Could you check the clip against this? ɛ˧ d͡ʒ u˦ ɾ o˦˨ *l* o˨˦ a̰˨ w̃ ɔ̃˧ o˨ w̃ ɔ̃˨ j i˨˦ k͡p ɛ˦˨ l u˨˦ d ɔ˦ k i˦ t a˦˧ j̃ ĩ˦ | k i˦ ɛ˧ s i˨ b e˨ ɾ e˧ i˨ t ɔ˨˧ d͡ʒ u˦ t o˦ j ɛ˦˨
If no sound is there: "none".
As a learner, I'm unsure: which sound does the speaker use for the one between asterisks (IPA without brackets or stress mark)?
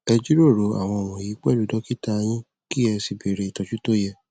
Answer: ɾ